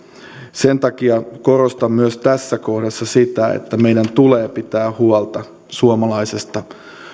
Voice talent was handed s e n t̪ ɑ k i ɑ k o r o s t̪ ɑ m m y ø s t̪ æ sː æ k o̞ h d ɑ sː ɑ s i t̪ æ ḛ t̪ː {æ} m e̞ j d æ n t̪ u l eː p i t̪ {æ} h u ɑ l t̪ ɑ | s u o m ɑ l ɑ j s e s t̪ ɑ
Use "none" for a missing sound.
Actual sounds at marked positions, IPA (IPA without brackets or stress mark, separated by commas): æ, æː